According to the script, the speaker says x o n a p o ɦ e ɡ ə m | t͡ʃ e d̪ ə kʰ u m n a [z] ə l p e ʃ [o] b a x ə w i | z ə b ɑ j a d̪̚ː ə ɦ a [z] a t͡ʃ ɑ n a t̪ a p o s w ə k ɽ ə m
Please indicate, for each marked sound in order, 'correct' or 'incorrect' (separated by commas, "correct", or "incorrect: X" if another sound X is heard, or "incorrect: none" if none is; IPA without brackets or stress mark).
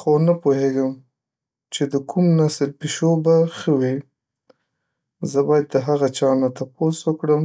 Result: incorrect: s, correct, incorrect: ɣ